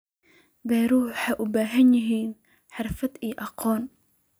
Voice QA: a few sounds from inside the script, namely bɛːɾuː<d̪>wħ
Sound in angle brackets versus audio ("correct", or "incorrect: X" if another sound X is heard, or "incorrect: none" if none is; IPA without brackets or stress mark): incorrect: none